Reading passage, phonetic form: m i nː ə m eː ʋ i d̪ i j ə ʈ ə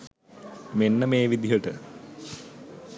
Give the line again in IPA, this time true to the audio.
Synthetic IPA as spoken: m e nː ə m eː ʋ i d̪ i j ə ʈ ə